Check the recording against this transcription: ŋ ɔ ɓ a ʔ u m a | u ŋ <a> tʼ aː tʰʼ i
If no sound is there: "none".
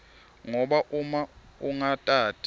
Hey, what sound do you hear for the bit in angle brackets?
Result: a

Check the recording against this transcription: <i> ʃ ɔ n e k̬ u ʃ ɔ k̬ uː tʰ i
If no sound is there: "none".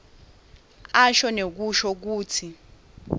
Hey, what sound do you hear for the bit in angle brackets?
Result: a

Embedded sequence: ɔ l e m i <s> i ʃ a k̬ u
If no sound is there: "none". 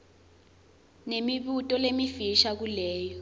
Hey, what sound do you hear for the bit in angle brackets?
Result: f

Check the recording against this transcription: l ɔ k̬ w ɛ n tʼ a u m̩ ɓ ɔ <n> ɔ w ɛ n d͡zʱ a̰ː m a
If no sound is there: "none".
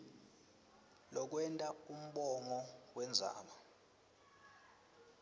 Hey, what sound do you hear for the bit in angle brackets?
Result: ŋ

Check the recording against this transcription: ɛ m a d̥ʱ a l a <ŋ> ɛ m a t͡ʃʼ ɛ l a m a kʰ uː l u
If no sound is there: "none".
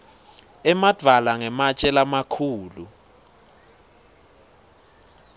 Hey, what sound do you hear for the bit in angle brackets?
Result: ŋ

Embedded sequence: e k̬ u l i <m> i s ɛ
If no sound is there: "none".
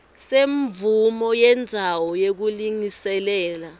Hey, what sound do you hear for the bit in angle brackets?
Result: ŋ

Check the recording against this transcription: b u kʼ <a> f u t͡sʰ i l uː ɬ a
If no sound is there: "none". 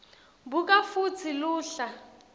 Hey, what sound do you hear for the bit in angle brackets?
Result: a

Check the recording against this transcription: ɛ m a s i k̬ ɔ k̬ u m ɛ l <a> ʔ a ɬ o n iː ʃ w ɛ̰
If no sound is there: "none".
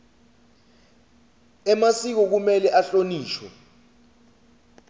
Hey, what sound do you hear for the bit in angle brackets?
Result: ɛ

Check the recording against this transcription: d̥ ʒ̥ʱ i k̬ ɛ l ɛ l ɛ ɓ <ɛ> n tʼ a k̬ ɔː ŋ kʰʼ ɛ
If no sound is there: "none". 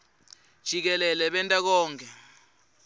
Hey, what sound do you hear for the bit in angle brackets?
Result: ɛ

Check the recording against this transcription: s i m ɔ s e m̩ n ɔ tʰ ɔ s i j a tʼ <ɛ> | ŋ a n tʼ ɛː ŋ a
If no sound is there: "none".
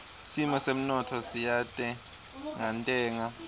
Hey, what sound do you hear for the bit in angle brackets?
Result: ɛ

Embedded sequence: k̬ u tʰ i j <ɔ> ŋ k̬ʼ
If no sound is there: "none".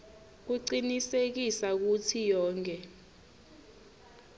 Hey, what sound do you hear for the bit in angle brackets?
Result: ɔː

